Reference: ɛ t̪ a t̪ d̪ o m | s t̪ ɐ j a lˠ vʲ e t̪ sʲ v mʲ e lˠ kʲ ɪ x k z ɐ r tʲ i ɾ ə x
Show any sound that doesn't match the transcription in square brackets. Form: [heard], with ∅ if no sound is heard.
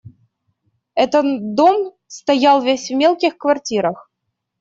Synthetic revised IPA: ɛ t̪ [ə] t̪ d̪ o m | s t̪ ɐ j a lˠ vʲ e [∅] sʲ v mʲ e lˠ kʲ ɪ x k [v] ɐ r tʲ i ɾ ə x